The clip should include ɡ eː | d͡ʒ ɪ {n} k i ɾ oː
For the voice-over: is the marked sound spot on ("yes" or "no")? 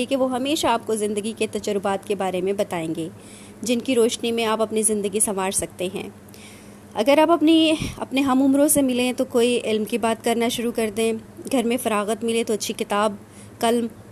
yes